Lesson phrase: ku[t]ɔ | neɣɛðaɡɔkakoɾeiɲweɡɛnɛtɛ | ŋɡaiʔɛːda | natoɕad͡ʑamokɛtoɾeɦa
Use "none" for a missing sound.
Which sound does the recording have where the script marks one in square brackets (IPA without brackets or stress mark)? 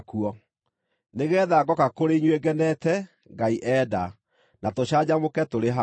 none